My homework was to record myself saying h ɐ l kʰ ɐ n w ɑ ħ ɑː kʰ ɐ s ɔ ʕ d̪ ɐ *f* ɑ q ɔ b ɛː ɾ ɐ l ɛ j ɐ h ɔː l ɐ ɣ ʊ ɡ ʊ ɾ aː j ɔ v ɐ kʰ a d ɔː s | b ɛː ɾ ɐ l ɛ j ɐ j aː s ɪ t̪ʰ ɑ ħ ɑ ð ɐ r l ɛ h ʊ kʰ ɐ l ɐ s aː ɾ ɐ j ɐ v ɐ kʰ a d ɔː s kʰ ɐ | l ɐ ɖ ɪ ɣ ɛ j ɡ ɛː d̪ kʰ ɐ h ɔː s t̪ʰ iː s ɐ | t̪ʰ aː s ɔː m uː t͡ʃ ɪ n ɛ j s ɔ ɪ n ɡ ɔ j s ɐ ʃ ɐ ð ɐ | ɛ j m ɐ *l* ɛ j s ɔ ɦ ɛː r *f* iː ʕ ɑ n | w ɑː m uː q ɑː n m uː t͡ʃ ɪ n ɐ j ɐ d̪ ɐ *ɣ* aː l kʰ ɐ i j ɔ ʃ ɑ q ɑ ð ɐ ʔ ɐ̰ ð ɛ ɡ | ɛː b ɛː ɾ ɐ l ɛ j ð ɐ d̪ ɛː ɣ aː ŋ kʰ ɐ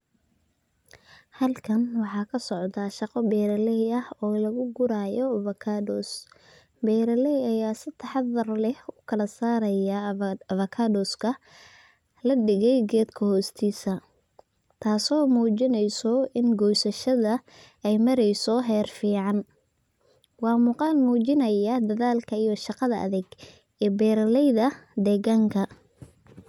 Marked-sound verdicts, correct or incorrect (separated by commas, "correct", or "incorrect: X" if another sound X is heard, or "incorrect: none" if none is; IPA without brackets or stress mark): incorrect: ʃ, incorrect: ɾ, correct, incorrect: ð